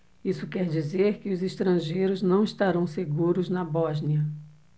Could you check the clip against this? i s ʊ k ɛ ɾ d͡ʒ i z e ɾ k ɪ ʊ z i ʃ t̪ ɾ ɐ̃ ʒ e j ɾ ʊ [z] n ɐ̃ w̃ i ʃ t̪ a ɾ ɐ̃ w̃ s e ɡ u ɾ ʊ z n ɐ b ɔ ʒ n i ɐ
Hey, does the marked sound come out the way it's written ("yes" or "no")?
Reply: yes